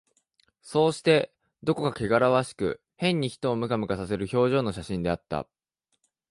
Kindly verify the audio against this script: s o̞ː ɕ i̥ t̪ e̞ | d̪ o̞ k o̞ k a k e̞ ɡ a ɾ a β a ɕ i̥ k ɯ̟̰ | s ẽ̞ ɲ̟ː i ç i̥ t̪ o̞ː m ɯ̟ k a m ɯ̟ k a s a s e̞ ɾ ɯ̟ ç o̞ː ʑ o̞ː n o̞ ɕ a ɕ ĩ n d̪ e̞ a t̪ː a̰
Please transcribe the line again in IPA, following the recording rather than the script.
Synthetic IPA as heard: s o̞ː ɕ i̥ t̪ e̞ | d̪ o̞ k o̞ k a k e̞ ɡ a ɾ a β a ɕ i̥ k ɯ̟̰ | h ẽ̞ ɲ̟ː i ç i̥ t̪ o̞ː m ɯ̟ k a m ɯ̟ k a s a s e̞ ɾ ɯ̟ ç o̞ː ʑ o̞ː n o̞ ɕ a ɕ ĩ n d̪ e̞ a t̪ː a̰